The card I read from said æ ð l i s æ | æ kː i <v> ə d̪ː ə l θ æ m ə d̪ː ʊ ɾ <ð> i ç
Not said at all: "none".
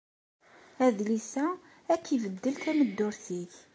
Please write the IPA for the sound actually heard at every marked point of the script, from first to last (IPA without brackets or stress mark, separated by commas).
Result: v, θ